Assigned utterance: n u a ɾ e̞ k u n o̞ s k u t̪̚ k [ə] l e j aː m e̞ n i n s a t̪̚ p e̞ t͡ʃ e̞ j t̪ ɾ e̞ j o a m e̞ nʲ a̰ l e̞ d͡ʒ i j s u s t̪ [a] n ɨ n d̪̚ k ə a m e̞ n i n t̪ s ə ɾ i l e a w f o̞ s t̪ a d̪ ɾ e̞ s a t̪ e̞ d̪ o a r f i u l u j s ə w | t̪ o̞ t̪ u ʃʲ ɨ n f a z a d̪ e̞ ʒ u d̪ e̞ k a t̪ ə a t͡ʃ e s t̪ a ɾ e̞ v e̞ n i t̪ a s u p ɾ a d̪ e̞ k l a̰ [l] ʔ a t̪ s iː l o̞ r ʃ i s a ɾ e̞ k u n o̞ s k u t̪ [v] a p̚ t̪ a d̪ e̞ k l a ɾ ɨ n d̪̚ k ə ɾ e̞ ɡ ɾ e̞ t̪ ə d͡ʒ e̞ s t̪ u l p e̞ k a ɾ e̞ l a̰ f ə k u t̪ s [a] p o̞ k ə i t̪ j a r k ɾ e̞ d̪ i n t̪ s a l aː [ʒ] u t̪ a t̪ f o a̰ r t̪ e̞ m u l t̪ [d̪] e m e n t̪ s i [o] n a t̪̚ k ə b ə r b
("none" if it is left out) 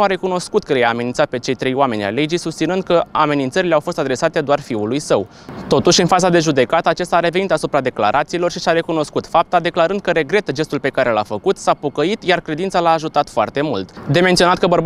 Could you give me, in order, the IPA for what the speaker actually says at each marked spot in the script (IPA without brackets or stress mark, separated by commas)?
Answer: ə, i, ɾ, f, a, ʒ, d̪, o